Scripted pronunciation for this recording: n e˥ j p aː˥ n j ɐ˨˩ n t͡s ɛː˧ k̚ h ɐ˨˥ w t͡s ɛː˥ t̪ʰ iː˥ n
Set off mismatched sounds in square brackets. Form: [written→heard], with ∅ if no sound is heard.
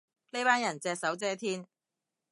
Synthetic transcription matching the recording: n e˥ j p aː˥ n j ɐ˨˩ n t͡s ɛː˧ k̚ [h→s] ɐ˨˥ w t͡s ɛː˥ t̪ʰ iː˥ n